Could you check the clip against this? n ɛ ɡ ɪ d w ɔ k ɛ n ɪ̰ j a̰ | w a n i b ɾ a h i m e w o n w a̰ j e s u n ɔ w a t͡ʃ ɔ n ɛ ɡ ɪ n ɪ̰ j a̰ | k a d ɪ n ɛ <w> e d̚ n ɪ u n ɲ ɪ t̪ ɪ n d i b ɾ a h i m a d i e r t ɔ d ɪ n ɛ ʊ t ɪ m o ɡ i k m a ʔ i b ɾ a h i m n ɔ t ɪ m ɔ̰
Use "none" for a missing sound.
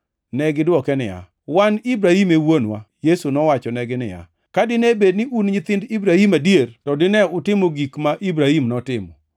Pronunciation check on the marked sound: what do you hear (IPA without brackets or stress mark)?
b